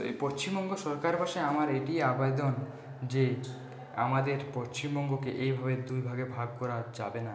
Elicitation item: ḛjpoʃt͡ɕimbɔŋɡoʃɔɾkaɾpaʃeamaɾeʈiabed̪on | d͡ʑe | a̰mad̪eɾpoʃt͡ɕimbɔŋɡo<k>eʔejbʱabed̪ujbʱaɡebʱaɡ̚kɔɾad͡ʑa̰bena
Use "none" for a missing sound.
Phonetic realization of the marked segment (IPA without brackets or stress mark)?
k